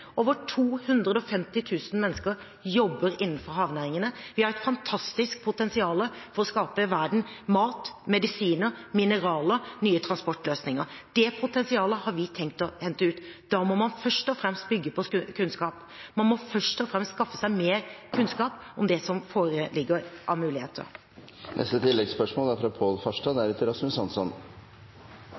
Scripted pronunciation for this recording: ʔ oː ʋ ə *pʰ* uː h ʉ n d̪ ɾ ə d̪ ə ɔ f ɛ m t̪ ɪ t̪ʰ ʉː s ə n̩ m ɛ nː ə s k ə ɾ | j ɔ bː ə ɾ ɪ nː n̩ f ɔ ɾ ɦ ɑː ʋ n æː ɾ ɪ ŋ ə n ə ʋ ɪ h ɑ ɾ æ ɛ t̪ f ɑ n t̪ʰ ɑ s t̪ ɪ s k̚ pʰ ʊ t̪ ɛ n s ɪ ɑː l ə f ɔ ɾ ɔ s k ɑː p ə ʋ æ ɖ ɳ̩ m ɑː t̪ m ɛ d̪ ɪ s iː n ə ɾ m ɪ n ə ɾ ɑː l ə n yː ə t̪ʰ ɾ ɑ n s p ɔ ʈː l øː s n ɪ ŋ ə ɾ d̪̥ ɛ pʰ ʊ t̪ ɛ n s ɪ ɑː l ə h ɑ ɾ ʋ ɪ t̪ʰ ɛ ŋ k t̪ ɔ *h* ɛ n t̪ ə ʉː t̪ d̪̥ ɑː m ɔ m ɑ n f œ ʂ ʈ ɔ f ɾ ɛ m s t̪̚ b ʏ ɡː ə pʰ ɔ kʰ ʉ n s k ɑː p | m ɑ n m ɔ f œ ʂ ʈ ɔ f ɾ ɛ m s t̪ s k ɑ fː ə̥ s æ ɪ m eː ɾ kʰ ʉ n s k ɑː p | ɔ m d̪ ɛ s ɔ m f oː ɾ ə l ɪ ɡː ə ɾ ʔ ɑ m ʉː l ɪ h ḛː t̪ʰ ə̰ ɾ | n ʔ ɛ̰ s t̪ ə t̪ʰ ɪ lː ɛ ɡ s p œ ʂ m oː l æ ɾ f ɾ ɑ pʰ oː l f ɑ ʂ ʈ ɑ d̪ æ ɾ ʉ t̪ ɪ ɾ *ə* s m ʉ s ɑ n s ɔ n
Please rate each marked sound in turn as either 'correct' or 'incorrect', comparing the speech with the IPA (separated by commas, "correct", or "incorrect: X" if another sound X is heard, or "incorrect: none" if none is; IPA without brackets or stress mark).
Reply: incorrect: ʈʰ, correct, incorrect: ɑ